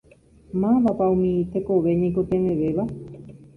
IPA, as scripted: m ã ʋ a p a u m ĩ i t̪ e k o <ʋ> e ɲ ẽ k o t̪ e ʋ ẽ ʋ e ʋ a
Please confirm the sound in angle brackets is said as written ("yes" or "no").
yes